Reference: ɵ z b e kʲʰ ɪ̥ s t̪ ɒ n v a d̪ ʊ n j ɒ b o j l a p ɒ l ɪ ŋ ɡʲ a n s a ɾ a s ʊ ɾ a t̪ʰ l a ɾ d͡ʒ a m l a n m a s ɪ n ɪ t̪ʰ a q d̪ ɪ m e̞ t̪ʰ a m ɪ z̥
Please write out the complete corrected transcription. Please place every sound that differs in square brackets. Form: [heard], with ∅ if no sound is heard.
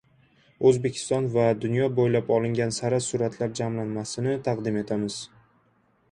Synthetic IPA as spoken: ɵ z b e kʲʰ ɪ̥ s t̪ ɒ n v a d̪ ʊ n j ɒ b o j l a p ɒ l ɪ ŋ ɡʲ a n s a ɾ a s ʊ ɾ a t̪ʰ l a ɾ d͡ʒ a m l a n m a s ɪ n ɪ t̪ʰ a q d̪ ɪ m e̞ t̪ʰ a m ɪ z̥